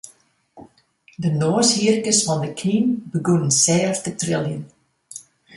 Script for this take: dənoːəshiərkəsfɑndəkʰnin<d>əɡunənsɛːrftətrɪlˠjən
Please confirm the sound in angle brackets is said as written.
no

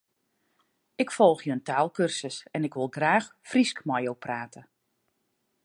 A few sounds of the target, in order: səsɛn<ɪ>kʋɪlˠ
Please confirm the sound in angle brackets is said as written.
yes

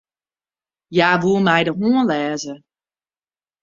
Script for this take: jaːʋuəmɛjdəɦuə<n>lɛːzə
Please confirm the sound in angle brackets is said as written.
yes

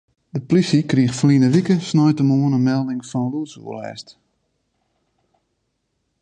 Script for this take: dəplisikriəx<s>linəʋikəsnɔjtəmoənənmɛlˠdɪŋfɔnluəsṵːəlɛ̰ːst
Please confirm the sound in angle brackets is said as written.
no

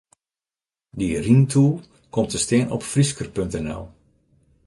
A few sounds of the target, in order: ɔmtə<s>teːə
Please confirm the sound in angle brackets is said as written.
yes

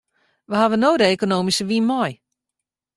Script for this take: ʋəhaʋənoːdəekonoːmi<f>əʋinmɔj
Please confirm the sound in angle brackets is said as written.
no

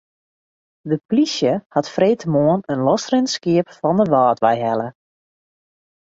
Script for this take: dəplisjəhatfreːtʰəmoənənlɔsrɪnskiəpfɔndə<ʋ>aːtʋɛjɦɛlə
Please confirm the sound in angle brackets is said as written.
yes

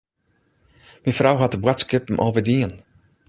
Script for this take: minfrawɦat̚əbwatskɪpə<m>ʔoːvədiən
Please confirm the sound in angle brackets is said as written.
yes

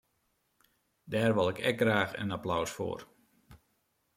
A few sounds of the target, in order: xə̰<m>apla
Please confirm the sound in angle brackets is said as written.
no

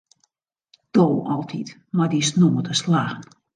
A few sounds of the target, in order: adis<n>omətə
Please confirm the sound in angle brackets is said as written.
yes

